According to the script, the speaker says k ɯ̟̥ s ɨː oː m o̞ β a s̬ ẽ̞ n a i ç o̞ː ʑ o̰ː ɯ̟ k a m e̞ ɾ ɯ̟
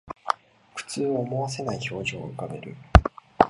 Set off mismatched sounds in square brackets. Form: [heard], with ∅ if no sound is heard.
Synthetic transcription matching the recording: k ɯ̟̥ [t͡s] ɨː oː m o̞ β a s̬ [e̞] n a i ç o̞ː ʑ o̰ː ɯ̟ k a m e̞ ɾ ɯ̟